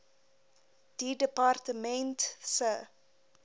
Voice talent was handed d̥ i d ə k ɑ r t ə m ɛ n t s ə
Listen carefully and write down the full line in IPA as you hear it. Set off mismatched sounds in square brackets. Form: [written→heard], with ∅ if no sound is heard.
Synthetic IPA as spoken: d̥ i d ə [k→p] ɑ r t ə m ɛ n t s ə